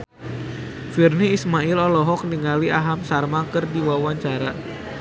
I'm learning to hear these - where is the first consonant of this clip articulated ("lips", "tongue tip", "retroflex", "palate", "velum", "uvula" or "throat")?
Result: lips